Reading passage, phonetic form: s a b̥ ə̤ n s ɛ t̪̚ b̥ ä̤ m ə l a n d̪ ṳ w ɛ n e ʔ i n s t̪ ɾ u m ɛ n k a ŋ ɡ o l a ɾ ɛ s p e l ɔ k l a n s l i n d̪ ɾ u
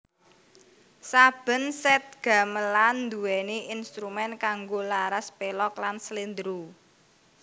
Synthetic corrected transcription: s a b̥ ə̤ n s ɛ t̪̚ ɡ̥ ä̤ m ə l a n d̪ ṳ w ɛ n e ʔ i n s t̪ ɾ u m ɛ n k a ŋ ɡ o l a ɾ a s p e l ɔ k l a n s l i n d̪ ɾ u

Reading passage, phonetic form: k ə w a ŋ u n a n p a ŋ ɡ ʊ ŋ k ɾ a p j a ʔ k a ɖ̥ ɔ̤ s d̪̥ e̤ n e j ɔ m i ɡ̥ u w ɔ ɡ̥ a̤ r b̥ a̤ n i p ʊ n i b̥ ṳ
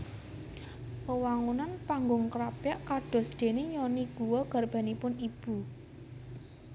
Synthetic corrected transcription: p ə w a ŋ u n a n p a ŋ ɡ ʊ ŋ k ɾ a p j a ʔ k a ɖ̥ ɔ̤ s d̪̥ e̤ n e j ɔ n i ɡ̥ u w ɔ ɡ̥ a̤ r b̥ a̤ n i p ʊ n i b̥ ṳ

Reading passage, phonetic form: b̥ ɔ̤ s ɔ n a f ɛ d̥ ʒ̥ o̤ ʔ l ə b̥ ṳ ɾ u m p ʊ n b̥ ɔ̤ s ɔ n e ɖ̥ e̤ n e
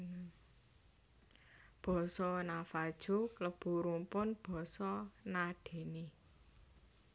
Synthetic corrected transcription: b̥ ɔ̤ s ɔ n a f a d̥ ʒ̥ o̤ k l ə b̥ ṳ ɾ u m p ʊ n b̥ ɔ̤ s ɔ n a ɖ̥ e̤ n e

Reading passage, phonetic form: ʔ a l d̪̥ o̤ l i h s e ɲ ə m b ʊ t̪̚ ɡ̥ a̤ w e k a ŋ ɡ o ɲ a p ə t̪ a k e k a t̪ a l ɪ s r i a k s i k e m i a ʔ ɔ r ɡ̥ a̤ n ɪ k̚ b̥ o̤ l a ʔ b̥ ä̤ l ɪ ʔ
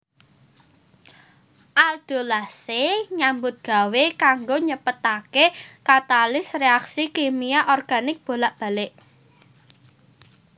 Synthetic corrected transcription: ʔ a l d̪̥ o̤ l a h s e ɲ a m b ʊ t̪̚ ɡ̥ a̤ w e k a ŋ ɡ o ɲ ə p ə t̪ a k e k a t̪ a l ɪ s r e a k s i k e m i a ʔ ɔ r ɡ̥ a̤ n ɪ k̚ b̥ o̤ l a ʔ b̥ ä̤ l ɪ ʔ

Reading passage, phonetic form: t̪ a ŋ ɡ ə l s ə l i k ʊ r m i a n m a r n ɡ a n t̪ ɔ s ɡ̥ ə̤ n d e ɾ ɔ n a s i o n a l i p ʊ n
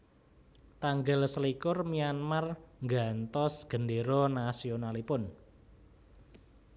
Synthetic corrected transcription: t̪ a ŋ ɡ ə l s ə l i k ʊ r m i a n m a r ŋ ɡ a n t̪ ɔ s ɡ̥ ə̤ n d e ɾ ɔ n a s i o n a l i p ʊ n

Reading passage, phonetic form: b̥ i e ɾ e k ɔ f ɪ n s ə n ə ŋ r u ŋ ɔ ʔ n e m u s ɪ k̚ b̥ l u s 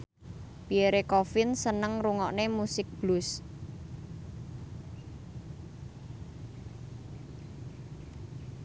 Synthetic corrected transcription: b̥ i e ɾ e k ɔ f ɪ n s ə n ə ŋ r u ŋ ɔ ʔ n e m u s ɪ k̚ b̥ l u s

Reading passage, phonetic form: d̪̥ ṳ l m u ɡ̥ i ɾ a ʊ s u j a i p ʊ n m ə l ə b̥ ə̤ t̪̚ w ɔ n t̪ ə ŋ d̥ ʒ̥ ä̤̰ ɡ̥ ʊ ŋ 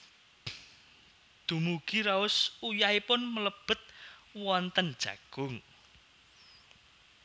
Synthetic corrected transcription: d̪̥ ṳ m u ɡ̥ i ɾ a ʊ s u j a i p ʊ n m ə l ə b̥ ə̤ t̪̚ w ɔ n t̪ ə n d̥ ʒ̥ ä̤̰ ɡ̥ ʊ ŋ

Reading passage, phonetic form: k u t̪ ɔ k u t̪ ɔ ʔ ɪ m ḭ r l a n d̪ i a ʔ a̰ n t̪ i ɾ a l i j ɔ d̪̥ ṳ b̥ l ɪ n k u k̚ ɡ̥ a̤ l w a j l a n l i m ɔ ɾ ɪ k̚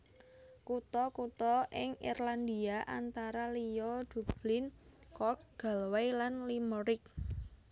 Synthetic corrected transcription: k u t̪ ɔ k u t̪ ɔ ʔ ɪ ŋ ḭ r l a n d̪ i a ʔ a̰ n t̪ a ɾ a l i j ɔ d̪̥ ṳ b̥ l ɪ n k ɔ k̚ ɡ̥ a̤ l w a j l a n l i m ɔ ɾ ɪ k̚

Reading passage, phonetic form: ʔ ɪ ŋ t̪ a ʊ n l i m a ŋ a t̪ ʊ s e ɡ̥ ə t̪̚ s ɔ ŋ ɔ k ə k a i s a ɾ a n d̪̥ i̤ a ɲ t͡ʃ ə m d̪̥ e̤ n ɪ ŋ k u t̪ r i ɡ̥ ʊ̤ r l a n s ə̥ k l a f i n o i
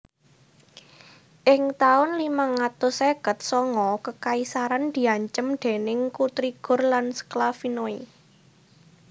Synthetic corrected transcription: ʔ ɪ ŋ t̪ a ʊ n l i m a ŋ a t̪ ʊ s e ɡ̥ ə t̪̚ s ɔ ŋ ɔ k ə k a i s a ɾ a n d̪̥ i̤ a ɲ t͡ʃ ə m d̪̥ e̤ n ɪ ŋ k u t̪ ɾ i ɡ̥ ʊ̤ r l a n s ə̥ k l a f i n o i

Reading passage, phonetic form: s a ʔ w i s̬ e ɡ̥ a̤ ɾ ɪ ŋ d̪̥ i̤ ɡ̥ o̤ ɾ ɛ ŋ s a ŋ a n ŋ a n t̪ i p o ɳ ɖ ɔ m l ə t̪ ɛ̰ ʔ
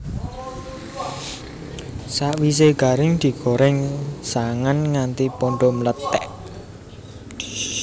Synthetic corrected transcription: s a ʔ w i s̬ e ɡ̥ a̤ ɾ ɪ ŋ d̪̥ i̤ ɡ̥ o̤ ɾ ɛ ŋ s a ŋ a n ŋ a n t̪ i p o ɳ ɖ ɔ m l ə t̪ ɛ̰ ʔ

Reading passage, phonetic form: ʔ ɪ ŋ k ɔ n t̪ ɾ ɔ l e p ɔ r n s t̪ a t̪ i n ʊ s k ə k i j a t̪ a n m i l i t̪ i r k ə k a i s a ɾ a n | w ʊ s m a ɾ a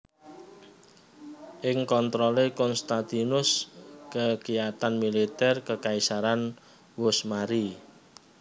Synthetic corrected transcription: ʔ ɪ ŋ k ɔ n t̪ ɾ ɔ l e k ɔ n s t̪ a t̪ i n ʊ s k ə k i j a t̪ a n m i l i t̪ ɛ r k ə k a i s a ɾ a n | w ʊ s m a ɾ i

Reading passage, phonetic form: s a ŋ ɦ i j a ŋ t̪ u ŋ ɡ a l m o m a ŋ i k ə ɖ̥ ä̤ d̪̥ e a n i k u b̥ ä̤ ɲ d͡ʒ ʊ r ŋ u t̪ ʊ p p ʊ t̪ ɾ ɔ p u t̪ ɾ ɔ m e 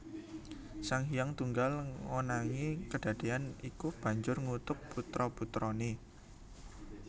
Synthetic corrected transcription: s a ŋ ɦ i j a ŋ t̪ u ŋ ɡ a l ŋ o n a ŋ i k ə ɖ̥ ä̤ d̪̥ e a n i k u b̥ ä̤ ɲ d͡ʒ ʊ r ŋ u t̪ ʊ p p u t̪ ɾ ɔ p u t̪ ɾ ɔ n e

